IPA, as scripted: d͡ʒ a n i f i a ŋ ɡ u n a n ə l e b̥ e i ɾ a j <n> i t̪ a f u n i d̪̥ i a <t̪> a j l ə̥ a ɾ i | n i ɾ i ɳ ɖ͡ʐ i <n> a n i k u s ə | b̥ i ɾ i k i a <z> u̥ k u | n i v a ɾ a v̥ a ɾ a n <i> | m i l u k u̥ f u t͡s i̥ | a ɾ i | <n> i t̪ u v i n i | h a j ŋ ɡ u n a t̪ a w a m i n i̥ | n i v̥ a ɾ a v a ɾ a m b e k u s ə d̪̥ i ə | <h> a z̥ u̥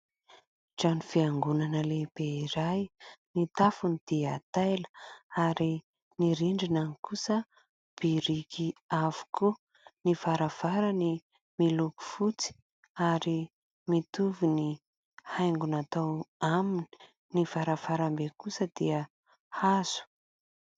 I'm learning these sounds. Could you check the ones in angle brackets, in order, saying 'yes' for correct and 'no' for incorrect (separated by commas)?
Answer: yes, yes, yes, no, yes, no, yes